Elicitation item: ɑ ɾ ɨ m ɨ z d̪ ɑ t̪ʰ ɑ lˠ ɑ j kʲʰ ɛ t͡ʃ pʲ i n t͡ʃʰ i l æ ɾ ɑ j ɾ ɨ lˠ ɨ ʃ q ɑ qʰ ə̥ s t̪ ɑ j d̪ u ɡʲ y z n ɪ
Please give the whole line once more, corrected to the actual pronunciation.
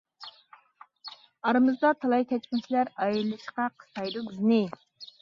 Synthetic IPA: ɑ ɾ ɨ m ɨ z d̪ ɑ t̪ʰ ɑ lˠ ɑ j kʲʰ ɛ t͡ʃ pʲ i n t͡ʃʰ i l æ ɾ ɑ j ɾ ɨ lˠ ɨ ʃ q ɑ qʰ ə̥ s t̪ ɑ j d̪ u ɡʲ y z n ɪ